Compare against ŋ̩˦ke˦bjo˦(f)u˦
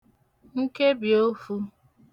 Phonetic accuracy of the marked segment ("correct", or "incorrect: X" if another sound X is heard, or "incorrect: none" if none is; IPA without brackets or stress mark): correct